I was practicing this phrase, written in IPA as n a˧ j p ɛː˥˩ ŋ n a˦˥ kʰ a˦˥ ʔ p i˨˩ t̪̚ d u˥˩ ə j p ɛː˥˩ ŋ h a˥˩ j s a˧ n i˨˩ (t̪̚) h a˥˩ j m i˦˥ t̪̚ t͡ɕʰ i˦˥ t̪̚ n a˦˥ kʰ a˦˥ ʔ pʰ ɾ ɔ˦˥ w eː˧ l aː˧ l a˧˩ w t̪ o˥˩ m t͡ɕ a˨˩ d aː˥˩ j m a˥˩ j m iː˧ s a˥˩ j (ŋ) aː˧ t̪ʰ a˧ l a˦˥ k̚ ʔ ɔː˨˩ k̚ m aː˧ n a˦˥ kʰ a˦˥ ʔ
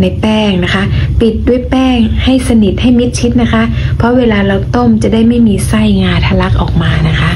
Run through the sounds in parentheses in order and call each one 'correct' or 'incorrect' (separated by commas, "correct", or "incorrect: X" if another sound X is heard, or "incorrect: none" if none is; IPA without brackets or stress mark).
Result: correct, correct